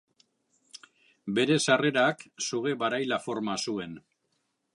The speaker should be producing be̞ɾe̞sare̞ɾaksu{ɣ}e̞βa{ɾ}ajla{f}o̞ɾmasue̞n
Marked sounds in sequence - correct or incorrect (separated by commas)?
correct, correct, correct